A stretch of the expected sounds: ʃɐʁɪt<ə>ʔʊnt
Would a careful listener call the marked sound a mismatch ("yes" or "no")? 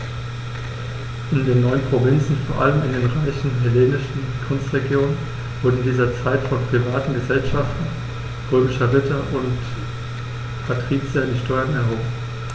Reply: yes